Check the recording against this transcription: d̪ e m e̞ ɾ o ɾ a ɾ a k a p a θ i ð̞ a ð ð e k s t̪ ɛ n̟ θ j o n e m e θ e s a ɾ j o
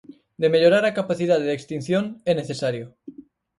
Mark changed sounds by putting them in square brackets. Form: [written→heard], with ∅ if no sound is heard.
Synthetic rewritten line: d̪ e m e̞ [ɾ→ʎ] o ɾ a ɾ a k a p a θ i ð̞ a ð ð e k s t̪ [ɛ→i] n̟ θ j o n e [m→n] e θ e s a ɾ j o